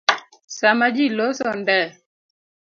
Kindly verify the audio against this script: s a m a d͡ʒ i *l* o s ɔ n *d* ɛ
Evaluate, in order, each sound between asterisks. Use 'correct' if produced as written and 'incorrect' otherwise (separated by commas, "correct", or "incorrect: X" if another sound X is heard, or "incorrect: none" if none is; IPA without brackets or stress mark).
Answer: correct, correct